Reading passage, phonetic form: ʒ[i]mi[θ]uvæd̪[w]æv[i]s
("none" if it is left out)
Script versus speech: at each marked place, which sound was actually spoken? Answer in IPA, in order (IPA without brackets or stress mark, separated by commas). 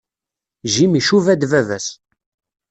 i, ʃ, v, æ